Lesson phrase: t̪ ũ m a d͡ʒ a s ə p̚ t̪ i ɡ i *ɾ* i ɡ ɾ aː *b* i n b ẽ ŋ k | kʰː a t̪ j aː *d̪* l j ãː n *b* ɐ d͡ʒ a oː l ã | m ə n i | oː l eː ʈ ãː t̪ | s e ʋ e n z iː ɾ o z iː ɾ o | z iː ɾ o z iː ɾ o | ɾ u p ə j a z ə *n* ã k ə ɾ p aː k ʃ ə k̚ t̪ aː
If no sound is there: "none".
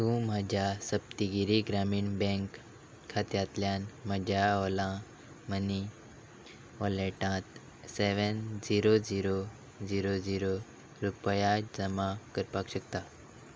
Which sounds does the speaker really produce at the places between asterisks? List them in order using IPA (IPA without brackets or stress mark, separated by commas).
ɾ, m, t̪, m, m